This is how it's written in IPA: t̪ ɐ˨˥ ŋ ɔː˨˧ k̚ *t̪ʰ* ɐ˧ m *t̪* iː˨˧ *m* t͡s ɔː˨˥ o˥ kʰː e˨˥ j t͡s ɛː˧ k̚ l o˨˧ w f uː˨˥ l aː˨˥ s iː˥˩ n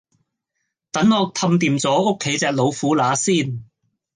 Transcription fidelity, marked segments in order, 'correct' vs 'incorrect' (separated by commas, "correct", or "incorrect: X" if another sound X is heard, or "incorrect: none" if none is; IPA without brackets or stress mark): correct, correct, correct